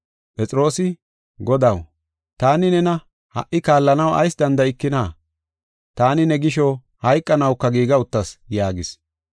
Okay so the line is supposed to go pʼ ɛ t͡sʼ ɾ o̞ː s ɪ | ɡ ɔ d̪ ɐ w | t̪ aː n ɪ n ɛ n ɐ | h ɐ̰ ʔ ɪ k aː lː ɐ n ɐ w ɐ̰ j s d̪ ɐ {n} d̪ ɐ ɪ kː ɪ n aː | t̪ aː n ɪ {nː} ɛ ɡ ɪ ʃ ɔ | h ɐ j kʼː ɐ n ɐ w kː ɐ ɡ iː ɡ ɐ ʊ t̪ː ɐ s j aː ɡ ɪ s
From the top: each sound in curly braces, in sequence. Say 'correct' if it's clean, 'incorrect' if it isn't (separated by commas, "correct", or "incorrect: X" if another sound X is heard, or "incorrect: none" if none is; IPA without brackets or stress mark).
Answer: correct, incorrect: n